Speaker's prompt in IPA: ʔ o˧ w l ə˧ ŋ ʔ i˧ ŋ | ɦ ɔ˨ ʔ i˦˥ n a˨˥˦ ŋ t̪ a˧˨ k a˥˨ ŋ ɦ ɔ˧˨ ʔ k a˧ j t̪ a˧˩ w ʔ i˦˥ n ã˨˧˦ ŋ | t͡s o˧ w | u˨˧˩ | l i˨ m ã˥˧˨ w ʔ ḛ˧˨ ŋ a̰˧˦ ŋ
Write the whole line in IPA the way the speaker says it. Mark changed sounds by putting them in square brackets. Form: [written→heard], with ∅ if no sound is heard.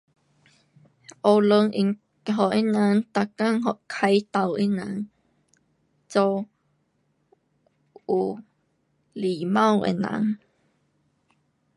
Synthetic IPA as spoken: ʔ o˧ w l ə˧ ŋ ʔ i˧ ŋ | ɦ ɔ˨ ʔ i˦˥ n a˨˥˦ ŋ t̪ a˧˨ k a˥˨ ŋ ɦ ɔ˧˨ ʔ [k→kʰ] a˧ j t̪ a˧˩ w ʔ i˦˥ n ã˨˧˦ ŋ | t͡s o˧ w | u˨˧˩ | l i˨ m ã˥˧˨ w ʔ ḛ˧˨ [ŋ→n] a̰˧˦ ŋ